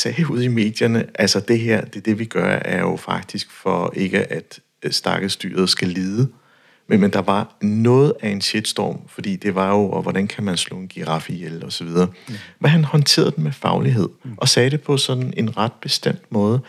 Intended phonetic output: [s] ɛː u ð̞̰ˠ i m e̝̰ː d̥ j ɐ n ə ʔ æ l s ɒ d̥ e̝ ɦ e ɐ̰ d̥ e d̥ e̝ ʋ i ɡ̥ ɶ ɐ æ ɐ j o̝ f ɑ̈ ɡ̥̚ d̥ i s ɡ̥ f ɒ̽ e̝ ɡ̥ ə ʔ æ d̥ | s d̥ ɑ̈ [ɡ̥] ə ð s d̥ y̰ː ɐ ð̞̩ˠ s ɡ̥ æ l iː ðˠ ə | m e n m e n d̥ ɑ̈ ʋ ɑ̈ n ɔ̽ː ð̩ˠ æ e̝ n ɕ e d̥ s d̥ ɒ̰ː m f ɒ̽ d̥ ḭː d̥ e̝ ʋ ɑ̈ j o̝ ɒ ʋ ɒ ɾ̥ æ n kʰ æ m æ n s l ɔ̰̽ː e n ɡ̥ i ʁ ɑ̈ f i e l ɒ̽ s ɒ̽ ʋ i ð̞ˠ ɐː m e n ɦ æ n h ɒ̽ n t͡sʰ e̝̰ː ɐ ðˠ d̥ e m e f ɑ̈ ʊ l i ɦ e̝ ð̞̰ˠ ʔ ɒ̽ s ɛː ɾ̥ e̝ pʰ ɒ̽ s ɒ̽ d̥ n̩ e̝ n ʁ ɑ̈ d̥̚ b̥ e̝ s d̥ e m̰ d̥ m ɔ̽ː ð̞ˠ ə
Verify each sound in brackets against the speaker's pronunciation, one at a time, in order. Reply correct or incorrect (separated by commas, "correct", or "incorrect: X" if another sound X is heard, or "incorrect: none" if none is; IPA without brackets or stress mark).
correct, correct